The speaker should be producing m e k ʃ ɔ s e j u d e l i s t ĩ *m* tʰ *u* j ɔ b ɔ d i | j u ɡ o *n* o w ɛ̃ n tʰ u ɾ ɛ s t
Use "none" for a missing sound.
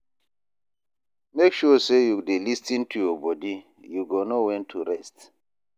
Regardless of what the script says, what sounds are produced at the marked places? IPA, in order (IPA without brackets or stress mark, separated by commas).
n, u, n